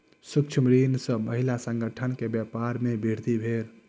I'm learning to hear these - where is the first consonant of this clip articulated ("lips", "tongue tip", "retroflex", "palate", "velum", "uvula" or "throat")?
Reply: tongue tip